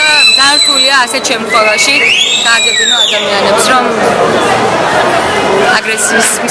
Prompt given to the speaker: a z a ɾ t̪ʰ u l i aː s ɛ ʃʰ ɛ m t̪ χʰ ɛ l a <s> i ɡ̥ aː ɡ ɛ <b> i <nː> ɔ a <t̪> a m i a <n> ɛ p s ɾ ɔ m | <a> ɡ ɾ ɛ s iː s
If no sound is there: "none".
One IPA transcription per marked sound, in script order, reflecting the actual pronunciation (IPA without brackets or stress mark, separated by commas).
ʃ, b, n, d̪, n, a